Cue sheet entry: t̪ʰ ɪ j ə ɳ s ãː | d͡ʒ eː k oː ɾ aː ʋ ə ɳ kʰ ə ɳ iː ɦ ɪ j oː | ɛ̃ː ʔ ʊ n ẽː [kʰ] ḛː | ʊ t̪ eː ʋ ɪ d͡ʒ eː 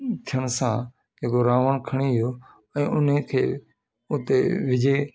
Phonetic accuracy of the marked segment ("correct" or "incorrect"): correct